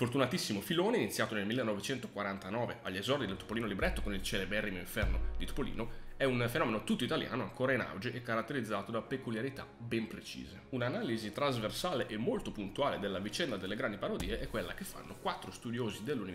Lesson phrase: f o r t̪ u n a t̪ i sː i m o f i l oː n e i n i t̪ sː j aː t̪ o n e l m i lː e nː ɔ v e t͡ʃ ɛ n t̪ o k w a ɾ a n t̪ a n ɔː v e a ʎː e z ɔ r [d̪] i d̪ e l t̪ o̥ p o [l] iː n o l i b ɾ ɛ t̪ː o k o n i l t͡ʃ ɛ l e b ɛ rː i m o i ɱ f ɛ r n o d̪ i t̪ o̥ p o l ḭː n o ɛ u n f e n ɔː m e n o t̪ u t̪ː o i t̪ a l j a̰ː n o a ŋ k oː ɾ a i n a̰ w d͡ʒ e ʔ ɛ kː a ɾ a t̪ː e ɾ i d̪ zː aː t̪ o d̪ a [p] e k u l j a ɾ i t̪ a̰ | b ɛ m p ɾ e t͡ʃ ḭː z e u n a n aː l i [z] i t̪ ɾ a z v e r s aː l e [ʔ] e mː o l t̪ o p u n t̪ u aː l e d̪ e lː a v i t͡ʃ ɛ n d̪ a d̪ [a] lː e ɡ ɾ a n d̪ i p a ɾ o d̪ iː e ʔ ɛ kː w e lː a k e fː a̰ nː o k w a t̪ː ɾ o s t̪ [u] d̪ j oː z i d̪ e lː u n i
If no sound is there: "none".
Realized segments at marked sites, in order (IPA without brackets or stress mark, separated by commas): d̪, l, p, z, ʔ, e, u